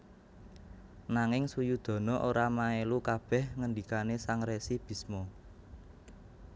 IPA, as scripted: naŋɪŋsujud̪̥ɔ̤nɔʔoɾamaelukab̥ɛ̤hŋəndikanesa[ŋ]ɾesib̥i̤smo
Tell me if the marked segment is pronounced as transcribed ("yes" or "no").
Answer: yes